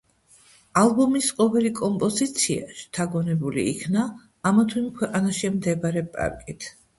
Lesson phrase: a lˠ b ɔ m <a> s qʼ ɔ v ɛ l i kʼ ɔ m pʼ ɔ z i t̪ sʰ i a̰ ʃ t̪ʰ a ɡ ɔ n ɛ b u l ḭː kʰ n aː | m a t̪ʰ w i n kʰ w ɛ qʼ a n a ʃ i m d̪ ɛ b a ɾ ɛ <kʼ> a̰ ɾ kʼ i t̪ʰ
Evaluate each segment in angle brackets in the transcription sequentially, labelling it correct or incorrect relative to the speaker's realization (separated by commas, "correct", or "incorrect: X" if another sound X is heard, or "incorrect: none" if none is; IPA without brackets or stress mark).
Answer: incorrect: i, incorrect: pʼ